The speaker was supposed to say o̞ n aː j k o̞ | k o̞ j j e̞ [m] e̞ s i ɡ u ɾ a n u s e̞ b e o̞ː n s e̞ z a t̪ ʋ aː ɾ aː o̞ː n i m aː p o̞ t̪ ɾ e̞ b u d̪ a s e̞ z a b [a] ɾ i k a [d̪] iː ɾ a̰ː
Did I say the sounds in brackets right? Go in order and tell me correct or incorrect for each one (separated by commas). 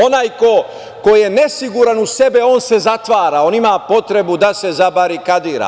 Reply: incorrect, correct, correct